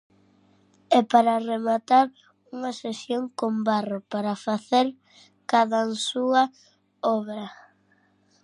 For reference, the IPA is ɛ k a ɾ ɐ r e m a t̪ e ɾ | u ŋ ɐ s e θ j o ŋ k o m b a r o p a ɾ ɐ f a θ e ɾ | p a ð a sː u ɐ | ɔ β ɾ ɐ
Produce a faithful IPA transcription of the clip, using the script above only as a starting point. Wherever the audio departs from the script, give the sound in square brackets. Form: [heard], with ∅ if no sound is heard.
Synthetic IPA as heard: ɛ [p] a ɾ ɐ r e m a t̪ [a] ɾ | u ŋ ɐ s e [s] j o ŋ k o m b a r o p a ɾ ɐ f a θ e ɾ | [k] a ð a [s] u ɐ | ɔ β ɾ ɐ